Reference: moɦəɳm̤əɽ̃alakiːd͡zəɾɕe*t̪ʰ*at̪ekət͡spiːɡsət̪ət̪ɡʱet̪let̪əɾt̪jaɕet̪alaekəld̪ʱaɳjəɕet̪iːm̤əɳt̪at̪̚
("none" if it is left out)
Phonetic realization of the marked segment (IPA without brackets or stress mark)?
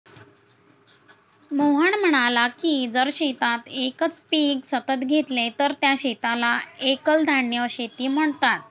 t̪